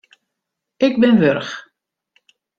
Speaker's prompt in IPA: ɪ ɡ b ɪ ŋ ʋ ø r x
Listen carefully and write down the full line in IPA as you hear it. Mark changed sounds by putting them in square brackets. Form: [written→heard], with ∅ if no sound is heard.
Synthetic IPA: ɪ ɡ b ɪ [ŋ→n] ʋ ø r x